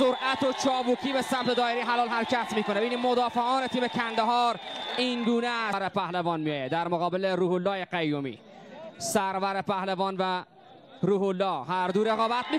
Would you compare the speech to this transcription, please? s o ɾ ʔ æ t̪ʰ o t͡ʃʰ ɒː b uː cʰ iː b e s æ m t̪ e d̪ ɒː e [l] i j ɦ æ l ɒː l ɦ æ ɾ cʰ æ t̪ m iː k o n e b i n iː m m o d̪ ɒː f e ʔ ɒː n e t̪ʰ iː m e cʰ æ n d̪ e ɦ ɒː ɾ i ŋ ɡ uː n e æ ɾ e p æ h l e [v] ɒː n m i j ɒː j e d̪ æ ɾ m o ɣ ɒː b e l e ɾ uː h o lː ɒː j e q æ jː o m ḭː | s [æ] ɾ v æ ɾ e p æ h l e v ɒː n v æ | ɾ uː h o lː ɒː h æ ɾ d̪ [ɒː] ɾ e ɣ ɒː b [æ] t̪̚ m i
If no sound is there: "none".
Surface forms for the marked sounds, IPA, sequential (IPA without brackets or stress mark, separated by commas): ɾ, v, æ, uː, æ